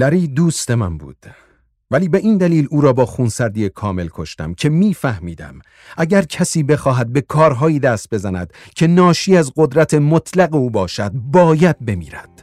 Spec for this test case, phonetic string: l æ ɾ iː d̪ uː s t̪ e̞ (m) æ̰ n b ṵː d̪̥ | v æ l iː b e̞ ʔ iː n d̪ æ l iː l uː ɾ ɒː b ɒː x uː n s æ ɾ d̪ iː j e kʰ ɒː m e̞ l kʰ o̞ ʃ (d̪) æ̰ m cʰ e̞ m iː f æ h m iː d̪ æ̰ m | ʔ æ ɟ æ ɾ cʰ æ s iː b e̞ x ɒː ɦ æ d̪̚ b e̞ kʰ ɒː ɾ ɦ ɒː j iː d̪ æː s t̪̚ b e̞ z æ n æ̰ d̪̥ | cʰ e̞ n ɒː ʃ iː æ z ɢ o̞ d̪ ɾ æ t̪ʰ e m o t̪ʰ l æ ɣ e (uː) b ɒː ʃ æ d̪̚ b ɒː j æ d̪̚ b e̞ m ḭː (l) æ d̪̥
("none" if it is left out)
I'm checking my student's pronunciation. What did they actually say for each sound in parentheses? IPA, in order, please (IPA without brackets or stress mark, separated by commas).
m, t̪, uː, ɾ